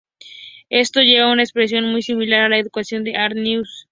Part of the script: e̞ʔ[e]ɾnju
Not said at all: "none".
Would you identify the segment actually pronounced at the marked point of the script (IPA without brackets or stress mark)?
a